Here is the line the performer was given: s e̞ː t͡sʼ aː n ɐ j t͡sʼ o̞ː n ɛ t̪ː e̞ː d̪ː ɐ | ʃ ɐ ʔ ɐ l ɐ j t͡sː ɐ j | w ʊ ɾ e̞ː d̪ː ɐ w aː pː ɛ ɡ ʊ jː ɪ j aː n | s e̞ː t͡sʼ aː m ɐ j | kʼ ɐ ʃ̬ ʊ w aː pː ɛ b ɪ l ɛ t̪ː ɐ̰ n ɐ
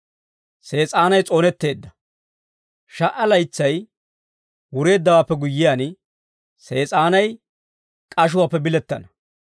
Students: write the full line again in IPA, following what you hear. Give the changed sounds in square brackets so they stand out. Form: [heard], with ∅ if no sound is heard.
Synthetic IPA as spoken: s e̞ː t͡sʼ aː n ɐ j t͡sʼ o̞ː n ɛ t̪ː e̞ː d̪ː ɐ | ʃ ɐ ʔ ɐ l ɐ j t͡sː ɐ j | w ʊ ɾ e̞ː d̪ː ɐ w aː pː ɛ ɡ ʊ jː ɪ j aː n | s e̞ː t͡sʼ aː [n] ɐ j | kʼ ɐ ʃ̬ ʊ w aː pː ɛ b ɪ l ɛ t̪ː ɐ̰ n ɐ